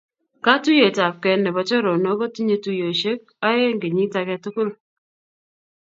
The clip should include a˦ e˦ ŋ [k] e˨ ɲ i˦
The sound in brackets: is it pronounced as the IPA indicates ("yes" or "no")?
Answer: no